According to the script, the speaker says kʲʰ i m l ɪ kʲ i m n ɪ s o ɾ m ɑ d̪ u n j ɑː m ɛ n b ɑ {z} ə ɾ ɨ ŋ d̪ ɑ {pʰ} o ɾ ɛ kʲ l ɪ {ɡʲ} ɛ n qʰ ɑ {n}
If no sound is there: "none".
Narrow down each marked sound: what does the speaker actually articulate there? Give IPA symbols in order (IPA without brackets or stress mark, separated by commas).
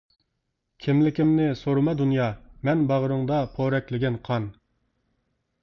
ʁ, pʰ, ɡʲ, n